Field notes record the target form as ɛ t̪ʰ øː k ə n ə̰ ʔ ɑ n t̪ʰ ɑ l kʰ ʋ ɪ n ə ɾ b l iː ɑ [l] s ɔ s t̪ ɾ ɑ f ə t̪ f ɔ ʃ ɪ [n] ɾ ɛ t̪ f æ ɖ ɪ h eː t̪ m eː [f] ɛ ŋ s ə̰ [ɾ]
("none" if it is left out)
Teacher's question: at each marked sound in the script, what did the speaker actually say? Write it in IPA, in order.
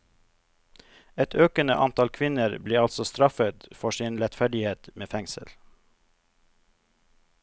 l, n, f, l

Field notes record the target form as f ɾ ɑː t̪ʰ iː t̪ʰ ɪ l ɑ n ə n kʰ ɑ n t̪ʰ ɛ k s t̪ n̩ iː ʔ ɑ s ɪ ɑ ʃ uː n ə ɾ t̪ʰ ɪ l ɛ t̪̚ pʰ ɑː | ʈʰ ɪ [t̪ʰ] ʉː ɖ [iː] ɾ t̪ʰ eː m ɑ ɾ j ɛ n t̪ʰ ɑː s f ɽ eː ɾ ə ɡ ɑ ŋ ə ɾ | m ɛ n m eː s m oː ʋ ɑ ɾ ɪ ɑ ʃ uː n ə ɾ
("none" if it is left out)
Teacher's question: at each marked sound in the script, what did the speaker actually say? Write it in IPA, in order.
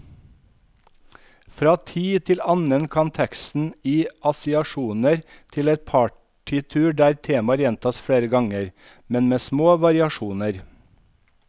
t̪ʰ, æː

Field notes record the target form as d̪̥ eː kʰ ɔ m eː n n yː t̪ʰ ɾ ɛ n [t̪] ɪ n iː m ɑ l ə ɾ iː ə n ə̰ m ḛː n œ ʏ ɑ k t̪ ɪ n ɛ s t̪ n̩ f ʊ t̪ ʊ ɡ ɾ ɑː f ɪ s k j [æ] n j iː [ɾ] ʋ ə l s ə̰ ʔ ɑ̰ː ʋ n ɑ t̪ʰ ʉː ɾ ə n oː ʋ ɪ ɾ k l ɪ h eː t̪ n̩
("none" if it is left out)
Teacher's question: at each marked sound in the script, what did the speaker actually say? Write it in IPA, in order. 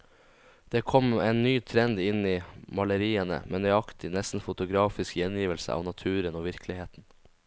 d̪, ɛ, none

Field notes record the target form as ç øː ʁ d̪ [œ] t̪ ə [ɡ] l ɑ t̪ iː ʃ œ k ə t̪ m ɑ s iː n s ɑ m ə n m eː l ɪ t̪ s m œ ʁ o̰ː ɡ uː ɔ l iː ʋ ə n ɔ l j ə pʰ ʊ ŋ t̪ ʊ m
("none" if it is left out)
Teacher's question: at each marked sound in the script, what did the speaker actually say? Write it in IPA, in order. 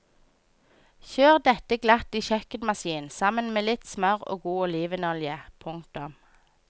ɛ, ɡ

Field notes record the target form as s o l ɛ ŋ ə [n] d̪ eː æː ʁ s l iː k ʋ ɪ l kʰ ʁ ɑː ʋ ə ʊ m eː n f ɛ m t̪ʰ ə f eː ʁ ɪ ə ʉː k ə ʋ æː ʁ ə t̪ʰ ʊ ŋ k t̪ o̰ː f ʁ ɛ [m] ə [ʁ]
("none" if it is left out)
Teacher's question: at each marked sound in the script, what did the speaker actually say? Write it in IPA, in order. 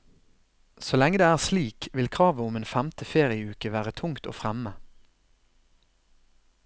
none, m, none

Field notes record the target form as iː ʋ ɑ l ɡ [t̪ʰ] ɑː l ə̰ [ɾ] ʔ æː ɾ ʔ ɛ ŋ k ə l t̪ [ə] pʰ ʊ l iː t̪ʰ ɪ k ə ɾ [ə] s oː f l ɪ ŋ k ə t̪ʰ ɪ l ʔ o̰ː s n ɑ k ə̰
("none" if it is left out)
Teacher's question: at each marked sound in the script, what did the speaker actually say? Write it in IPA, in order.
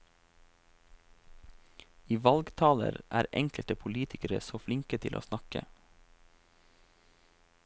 t̪ʰ, ɾ, ə, ə

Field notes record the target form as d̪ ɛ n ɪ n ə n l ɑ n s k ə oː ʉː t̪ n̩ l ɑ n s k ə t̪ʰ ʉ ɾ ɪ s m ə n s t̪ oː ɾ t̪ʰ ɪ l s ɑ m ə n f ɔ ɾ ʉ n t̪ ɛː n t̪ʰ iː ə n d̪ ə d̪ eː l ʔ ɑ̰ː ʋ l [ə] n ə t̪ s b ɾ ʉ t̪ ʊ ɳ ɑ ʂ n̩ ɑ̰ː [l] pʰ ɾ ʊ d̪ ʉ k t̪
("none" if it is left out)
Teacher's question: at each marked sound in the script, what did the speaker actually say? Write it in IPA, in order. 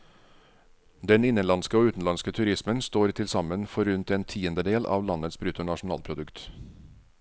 ɑ, l

